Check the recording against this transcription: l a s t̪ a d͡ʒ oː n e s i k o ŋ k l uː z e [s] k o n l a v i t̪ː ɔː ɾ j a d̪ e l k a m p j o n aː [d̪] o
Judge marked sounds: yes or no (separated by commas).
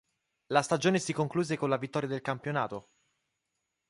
no, no